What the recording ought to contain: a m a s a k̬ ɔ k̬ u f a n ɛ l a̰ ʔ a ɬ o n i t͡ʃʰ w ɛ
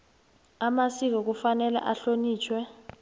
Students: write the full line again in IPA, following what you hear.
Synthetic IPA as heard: a m a s i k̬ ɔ k̬ u f a n ɛ l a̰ ʔ a ɬ o n iː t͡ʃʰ w ɛ